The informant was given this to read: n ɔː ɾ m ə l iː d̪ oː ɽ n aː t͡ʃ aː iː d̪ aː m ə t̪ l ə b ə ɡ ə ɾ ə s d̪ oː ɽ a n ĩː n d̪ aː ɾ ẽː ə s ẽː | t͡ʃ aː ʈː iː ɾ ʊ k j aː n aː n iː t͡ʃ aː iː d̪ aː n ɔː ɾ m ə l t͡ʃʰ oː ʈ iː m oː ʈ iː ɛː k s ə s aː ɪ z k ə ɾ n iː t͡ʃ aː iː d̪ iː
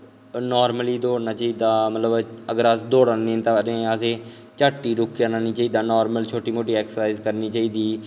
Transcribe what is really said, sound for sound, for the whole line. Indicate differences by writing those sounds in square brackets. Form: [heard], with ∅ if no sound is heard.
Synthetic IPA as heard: n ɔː ɾ m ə l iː d̪ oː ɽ n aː t͡ʃ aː iː d̪ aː m ə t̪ l ə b ə ɡ ə ɾ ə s d̪ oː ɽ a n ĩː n [t̪] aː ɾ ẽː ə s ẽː | t͡ʃ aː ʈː iː ɾ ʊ k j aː n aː n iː t͡ʃ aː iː d̪ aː n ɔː ɾ m ə l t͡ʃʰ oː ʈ iː m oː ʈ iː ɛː k s ə s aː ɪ z k ə ɾ n iː t͡ʃ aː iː d̪ iː